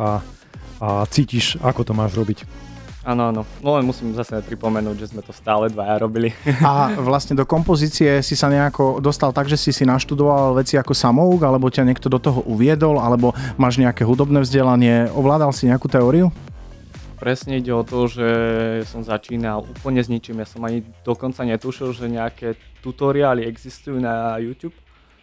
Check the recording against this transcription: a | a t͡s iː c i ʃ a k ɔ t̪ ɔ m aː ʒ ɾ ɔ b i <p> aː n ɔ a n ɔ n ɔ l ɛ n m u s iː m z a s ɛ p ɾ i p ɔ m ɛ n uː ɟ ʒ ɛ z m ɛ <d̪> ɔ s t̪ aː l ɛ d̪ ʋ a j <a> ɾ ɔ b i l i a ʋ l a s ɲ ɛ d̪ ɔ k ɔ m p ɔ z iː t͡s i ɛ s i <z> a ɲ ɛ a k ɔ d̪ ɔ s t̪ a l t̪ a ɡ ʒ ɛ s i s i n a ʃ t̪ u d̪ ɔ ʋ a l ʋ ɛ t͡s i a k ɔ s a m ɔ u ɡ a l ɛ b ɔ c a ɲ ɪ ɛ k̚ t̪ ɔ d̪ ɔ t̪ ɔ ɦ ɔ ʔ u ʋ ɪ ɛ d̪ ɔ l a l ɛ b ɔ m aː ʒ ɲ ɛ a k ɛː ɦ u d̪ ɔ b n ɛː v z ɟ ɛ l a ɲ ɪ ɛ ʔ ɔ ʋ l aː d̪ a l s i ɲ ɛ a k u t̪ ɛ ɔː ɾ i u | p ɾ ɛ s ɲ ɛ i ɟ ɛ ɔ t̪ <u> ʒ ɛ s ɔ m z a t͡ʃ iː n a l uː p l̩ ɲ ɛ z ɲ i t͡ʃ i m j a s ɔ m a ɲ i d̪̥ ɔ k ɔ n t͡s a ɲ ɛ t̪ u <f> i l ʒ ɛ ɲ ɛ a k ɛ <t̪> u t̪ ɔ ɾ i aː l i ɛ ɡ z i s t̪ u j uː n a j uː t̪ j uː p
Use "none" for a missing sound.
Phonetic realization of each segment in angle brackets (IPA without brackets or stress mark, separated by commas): c, t̪, a, s, ɔ, ʃ, t̪